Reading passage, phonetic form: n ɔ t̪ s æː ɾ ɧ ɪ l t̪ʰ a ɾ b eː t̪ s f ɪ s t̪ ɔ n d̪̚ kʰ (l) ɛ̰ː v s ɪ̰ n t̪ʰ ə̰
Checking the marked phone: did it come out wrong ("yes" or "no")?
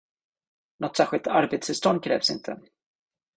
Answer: yes